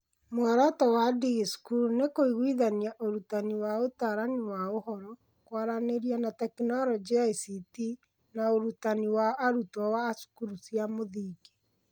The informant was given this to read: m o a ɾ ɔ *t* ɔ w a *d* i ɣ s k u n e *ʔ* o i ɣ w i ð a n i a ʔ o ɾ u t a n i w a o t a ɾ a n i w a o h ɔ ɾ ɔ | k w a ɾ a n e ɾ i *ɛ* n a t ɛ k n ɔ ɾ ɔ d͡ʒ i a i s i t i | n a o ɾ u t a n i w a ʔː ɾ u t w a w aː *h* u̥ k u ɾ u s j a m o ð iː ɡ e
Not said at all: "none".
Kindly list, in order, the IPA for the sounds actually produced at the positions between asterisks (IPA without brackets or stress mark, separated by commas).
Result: t, d, k, a, s